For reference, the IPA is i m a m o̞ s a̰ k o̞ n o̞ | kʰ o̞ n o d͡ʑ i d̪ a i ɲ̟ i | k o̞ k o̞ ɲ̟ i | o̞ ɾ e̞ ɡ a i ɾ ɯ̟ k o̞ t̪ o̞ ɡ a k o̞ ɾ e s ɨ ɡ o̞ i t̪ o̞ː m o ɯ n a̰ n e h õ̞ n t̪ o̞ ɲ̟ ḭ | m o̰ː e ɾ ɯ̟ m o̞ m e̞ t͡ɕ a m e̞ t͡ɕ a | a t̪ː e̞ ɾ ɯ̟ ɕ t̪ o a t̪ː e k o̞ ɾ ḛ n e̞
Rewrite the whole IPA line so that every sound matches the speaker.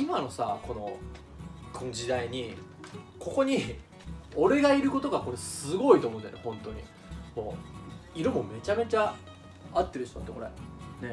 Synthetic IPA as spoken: i m a n o̞ s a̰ k o̞ n o̞ | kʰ o̞ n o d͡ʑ i d̪ a i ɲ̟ i | k o̞ k o̞ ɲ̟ i | o̞ ɾ e̞ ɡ a i ɾ ɯ̟ k o̞ t̪ o̞ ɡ a k o̞ ɾ e s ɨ ɡ o̞ i t̪ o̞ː m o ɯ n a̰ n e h õ̞ n t̪ o̞ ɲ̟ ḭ | m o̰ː i ɾ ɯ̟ m o̞ m e̞ t͡ɕ a m e̞ t͡ɕ a | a t̪ː e̞ ɾ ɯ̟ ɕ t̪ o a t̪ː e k o̞ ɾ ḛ n e̞